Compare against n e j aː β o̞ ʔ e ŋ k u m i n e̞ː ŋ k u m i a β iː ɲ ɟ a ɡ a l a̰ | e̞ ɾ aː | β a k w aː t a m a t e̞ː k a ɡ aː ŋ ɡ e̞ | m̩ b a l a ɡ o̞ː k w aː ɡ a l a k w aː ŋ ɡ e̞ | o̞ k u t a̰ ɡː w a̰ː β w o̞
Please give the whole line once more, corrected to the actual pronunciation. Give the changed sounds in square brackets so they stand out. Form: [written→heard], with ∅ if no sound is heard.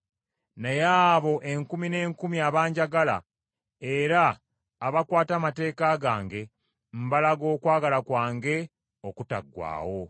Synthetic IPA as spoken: n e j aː β o̞ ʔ e ŋ k u m i n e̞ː ŋ k u m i a β [iː→aː] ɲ ɟ a ɡ a l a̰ | e̞ ɾ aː | β a k w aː t a m a t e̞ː k a ɡ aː ŋ ɡ e̞ | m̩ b a l a ɡ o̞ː k w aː ɡ a l a k w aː ŋ ɡ e̞ | o̞ k u t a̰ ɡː w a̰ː [β→∅] w o̞